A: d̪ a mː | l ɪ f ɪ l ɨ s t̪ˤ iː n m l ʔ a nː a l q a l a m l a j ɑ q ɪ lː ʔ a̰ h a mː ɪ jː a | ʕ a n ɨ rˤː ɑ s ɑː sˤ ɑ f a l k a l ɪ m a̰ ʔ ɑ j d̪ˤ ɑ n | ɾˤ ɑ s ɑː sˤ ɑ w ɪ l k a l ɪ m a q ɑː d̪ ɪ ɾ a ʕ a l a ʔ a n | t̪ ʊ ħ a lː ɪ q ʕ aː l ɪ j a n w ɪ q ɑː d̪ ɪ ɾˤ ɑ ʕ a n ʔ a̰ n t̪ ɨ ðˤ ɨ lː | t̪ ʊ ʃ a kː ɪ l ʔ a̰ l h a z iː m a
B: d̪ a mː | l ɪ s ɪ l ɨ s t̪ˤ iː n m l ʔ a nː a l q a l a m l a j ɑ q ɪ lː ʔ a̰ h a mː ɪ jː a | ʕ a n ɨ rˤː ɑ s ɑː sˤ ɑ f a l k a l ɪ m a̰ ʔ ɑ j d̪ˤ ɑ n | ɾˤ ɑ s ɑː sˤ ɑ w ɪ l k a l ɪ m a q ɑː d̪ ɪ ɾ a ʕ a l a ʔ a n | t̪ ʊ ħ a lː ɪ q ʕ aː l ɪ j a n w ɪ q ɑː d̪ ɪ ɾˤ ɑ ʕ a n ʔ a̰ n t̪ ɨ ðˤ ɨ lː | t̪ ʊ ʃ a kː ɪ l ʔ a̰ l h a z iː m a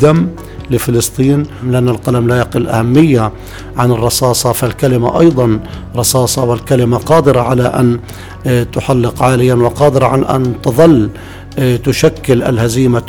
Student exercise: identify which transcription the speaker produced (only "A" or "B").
A